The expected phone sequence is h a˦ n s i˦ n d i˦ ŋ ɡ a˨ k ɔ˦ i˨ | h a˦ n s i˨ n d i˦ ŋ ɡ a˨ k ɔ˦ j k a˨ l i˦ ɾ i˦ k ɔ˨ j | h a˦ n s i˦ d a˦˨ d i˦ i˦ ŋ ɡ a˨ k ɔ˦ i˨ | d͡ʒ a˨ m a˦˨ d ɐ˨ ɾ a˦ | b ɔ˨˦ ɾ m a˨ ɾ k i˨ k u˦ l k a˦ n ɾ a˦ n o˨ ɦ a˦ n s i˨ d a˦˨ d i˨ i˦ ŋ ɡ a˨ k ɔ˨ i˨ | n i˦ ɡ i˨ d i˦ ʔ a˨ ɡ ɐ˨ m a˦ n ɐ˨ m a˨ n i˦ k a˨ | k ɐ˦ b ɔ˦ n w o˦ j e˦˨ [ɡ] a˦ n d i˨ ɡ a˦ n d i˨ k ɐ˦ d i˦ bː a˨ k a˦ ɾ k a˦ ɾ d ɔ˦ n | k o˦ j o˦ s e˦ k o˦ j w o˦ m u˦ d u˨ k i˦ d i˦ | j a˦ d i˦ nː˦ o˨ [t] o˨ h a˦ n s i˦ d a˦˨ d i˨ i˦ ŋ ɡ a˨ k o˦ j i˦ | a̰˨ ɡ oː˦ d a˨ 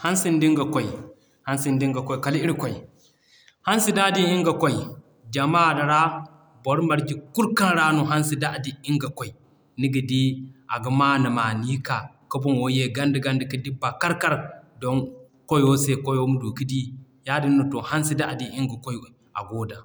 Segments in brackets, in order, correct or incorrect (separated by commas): correct, correct